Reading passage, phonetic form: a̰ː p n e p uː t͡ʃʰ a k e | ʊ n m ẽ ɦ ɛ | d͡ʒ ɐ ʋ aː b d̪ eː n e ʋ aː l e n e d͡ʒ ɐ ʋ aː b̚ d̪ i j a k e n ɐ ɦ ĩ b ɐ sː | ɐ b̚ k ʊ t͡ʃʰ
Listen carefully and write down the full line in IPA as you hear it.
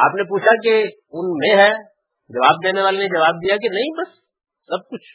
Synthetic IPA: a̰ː p n e p uː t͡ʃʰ a k e | ʊ n m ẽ ɦ ɛ | d͡ʒ ɐ ʋ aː b d̪ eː n e ʋ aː l e n e d͡ʒ ɐ ʋ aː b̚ d̪ i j a k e n ɐ ɦ ĩ b ɐ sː | ɐ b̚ k ʊ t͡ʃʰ